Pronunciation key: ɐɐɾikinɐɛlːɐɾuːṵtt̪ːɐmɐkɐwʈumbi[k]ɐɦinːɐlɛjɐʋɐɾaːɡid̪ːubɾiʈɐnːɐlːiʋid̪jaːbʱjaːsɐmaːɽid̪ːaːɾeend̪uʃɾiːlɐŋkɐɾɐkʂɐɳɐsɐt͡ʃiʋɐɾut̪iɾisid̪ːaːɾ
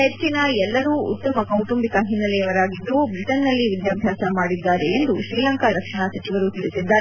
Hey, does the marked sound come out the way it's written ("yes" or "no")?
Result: yes